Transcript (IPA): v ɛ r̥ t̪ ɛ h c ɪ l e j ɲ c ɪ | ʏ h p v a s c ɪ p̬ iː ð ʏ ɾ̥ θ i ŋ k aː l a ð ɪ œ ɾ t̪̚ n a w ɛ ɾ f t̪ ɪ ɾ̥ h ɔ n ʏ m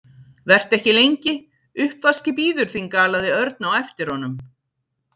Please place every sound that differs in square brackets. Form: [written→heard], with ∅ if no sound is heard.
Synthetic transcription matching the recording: v ɛ r̥ t̪ ɛ h c ɪ l e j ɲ c ɪ | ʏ h p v a s c ɪ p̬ iː ð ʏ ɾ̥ θ i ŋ k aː l a ð ɪ œ ɾ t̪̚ n a w ɛ [ɾ→∅] f t̪ ɪ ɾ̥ h ɔ n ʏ m